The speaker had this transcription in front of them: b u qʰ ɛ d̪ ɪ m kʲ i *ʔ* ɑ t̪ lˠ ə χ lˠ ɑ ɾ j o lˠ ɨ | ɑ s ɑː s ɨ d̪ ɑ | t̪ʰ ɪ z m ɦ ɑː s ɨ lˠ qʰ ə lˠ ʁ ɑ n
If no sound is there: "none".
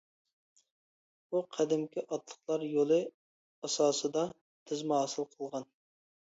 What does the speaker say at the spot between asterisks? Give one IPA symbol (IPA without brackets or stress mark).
ʔ